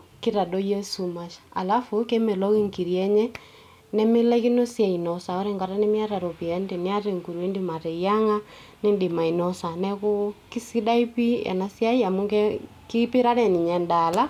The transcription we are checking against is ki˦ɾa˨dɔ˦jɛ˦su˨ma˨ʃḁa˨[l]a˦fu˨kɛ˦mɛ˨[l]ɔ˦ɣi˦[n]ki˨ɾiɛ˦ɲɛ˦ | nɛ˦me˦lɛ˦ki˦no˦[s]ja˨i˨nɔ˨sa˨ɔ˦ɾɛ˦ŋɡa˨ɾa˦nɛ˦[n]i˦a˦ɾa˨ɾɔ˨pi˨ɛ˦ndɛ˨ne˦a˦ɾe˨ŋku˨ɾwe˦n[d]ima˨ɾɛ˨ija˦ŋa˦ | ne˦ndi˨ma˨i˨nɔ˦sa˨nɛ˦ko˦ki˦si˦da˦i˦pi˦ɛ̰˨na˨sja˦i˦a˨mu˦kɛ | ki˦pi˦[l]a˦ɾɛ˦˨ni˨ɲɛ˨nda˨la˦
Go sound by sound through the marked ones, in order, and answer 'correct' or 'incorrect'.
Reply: correct, correct, incorrect: ŋ, correct, incorrect: m, correct, incorrect: ɾ

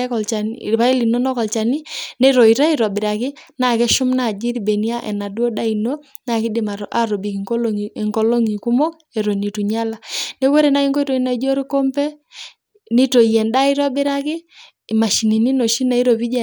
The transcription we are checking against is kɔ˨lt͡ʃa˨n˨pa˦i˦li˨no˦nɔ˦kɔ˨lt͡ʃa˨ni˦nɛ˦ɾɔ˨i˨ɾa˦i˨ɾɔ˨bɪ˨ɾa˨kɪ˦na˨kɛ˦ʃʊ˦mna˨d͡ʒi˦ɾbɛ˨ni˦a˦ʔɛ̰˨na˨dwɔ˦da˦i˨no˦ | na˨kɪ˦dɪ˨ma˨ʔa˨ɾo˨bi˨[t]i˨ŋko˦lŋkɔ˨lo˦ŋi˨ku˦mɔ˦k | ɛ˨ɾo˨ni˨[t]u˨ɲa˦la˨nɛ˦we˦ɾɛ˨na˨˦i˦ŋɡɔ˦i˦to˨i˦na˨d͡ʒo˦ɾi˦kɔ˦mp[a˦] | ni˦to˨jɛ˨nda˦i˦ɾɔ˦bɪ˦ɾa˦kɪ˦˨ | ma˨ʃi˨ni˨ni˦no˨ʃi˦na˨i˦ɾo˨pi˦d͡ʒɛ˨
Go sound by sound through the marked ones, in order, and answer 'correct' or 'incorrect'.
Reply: incorrect: k, correct, incorrect: ɛ˦

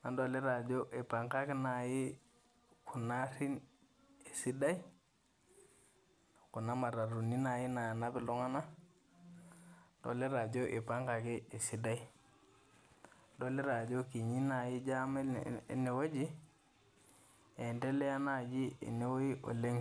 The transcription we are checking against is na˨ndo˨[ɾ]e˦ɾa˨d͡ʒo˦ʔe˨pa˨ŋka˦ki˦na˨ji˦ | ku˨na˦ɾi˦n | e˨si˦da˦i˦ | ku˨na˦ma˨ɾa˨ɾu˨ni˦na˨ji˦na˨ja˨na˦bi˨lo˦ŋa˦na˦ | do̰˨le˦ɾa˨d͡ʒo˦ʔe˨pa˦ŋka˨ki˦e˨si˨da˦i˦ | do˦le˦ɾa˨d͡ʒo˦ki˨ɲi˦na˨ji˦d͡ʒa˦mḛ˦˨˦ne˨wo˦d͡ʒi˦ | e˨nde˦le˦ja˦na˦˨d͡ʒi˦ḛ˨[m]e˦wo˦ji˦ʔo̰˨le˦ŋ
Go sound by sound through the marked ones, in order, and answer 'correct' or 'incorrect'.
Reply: incorrect: l, incorrect: n

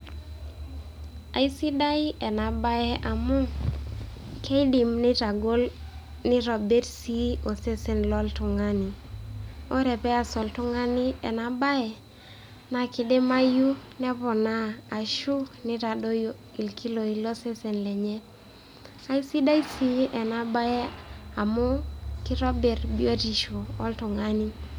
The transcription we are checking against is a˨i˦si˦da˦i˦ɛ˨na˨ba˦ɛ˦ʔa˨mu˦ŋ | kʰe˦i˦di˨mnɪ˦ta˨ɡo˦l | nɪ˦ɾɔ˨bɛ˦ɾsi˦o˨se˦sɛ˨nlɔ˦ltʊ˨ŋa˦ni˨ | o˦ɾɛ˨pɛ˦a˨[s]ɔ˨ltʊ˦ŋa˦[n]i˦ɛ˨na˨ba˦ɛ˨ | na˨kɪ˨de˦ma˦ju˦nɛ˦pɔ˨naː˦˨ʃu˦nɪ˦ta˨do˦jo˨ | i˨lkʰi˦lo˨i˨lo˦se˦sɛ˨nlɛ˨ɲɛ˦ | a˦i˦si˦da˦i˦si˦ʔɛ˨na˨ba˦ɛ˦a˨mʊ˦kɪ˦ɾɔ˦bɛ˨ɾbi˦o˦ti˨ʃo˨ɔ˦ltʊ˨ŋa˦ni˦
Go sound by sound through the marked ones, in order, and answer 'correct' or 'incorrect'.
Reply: correct, correct

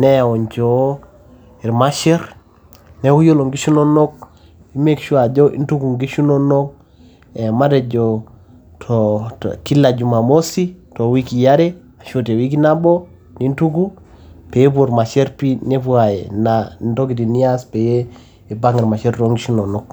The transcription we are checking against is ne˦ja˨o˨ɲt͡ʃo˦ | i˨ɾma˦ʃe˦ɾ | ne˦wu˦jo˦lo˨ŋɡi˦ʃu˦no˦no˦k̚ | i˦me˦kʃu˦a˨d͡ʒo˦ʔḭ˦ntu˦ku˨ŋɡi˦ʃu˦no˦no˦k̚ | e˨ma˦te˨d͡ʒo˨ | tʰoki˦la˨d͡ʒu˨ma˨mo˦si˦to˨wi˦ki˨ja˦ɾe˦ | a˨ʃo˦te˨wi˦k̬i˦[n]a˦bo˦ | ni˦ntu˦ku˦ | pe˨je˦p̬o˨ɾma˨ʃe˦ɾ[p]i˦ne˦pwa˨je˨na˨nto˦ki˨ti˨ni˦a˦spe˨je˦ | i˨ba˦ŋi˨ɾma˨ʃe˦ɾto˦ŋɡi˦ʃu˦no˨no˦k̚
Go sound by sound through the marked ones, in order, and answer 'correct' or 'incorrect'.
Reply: correct, correct

